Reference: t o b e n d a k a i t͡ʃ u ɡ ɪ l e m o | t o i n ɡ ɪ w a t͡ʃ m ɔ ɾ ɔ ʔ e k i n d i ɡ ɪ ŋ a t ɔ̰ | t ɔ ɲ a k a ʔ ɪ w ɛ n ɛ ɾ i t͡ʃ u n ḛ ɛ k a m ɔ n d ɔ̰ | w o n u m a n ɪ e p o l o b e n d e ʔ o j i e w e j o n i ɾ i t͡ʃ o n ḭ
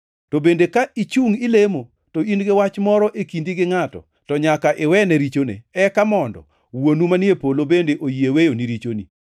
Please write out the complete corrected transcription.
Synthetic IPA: t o b e n d e k a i t͡ʃ u ŋ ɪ l e m o | t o i n ɡ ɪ w a t͡ʃ m ɔ ɾ ɔ ʔ e k i n d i ɡ ɪ ŋ a t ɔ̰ | t ɔ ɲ a k a ʔ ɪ w ɛ n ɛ ɾ i t͡ʃ o n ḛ ɛ k a m ɔ n d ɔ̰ | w o n u m a n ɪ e p o l o b e n d e ʔ o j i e w e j o n i ɾ i t͡ʃ o n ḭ